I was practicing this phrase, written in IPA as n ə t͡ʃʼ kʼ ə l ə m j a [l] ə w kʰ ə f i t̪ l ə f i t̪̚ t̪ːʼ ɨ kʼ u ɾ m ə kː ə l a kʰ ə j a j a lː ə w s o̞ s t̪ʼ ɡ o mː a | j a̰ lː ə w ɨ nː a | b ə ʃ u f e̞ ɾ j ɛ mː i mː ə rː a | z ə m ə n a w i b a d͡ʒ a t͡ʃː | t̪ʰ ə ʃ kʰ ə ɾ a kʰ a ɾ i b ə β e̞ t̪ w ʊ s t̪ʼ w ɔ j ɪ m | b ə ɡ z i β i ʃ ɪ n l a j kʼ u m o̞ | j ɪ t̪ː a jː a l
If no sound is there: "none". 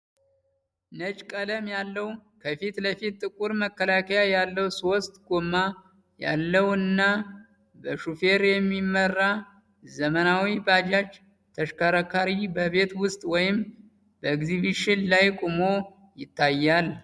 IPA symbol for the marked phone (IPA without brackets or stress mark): lː